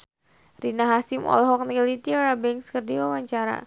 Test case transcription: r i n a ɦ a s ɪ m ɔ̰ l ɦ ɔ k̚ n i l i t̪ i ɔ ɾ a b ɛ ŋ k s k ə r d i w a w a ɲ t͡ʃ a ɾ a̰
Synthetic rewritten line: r i n a ɦ a s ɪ m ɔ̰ l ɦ ɔ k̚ n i l i t̪ i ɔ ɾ a b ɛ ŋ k s k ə r d i w a w a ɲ t͡ʃ a ɾ a̰